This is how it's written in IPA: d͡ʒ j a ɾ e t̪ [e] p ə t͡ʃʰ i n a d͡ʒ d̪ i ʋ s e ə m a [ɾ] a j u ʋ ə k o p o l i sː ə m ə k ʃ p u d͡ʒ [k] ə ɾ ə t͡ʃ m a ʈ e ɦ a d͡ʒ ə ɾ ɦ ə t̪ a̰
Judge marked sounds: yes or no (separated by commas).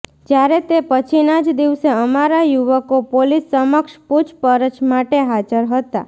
yes, yes, no